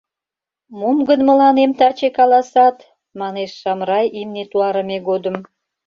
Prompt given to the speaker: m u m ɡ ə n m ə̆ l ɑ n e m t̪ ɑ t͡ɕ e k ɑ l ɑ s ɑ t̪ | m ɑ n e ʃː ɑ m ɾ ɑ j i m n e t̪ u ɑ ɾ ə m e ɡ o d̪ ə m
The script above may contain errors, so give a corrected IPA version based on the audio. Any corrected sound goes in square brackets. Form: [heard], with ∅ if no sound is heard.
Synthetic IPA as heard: m u m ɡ ə n m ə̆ l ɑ n e m t̪ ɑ t͡ɕ e k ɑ l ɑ s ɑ t̪ | m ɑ n e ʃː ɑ m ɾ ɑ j i m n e t̪ u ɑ ɾ ə m e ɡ o d̪ ə m